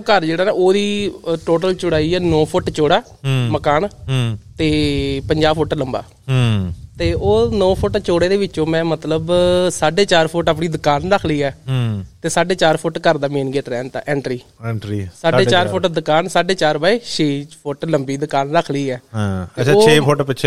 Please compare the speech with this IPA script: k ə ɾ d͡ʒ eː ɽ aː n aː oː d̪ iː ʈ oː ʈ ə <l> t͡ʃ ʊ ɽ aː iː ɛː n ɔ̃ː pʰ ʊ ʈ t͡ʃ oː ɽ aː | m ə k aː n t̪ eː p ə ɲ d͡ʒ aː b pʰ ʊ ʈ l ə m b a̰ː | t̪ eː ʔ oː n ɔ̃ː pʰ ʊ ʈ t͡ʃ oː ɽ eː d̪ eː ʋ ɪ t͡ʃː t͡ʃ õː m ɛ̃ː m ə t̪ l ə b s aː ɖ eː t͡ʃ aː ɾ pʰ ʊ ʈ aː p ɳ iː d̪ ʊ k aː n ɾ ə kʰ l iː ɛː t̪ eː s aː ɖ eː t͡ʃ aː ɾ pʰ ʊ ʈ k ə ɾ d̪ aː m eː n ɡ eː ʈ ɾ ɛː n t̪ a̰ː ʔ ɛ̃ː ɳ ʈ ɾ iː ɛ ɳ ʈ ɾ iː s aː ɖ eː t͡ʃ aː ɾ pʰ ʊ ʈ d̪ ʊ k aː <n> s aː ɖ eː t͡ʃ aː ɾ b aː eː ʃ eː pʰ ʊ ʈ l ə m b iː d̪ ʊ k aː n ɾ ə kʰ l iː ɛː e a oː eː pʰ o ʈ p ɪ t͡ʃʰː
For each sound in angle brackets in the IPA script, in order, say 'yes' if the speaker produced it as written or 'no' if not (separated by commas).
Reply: yes, yes